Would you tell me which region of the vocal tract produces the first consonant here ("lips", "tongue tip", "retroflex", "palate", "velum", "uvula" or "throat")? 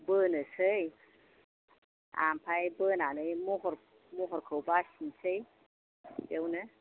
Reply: lips